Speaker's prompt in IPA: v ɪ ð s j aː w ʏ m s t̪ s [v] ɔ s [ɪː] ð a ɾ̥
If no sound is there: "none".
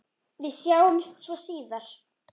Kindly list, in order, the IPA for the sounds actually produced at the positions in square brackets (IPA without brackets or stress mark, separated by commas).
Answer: v, iː